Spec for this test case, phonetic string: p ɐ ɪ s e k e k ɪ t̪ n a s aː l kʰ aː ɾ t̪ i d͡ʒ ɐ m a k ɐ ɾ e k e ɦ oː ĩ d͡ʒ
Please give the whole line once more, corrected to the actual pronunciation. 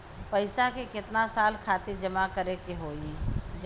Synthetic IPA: p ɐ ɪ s a k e k ɪ t̪ n a s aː l kʰ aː t̪ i d͡ʒ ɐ m a k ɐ ɾ e k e ɦ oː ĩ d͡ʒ

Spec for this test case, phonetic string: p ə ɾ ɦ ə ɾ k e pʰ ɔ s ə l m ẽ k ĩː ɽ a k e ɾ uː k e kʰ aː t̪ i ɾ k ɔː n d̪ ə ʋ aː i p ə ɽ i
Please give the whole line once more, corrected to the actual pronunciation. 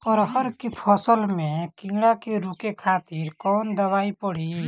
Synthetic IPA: p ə ɾ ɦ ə ɾ k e pʰ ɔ s ə l m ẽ k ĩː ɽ a k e ɾ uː k e kʰ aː t̪ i ɾ k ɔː n d̪ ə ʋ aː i p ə ɽ i

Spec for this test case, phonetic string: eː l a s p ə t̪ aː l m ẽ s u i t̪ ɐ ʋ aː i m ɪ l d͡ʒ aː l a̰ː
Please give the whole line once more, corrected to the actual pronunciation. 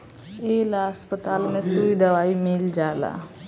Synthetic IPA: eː l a s p ə t̪ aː l m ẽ s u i d̪ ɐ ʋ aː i m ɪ l d͡ʒ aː l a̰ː

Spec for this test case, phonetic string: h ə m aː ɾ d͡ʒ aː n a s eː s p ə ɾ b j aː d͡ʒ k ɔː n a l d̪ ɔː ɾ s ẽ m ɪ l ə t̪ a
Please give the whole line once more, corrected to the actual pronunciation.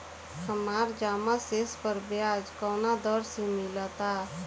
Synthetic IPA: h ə m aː ɾ d͡ʒ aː m a s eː s p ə ɾ b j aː d͡ʒ k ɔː n a d̪ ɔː ɾ s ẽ m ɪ l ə t̪ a

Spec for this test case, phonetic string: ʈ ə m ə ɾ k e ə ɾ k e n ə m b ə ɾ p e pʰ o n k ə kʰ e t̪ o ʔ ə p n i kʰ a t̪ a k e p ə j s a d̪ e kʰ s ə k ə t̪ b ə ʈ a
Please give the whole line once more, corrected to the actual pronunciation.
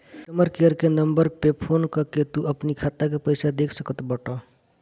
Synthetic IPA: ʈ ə m ə ɾ k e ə ɾ k e n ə m b ə ɾ p e pʰ o n k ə k e t̪ u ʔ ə p n i kʰ a t̪ a k e p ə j s a d̪ e kʰ s ə k ə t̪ b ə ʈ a

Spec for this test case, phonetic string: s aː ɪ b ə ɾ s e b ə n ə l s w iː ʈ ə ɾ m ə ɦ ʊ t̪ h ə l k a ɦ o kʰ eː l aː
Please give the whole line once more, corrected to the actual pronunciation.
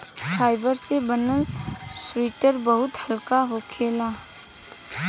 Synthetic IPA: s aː ɪ b ə ɾ s e b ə n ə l s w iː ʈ ə ɾ b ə ɦ ʊ t̪ h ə l k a ɦ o kʰ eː l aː

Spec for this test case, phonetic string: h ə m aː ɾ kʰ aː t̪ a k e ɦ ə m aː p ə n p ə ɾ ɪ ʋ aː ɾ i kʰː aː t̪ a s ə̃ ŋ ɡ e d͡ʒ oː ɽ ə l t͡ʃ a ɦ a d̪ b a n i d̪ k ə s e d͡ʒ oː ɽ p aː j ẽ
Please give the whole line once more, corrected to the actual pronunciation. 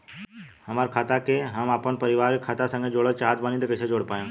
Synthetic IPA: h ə m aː ɾ kʰ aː t̪ a k e ɦ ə m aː p ə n p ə ɾ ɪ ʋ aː ɾ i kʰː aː t̪ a s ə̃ ŋ ɡ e d͡ʒ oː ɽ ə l t͡ʃ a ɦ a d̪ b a n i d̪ k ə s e d͡ʒ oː ɽ p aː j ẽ

